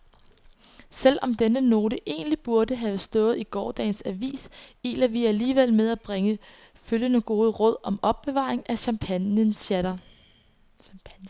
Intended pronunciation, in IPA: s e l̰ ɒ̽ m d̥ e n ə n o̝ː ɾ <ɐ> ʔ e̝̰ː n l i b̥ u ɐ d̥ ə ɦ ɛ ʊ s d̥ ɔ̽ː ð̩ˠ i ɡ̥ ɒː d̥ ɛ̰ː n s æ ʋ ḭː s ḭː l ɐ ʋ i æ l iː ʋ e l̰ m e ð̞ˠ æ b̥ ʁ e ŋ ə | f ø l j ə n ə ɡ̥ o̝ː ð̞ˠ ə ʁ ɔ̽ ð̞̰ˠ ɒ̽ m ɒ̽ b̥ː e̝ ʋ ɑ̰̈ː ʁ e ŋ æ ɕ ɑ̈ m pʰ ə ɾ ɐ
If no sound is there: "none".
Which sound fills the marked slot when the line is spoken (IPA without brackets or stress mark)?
ə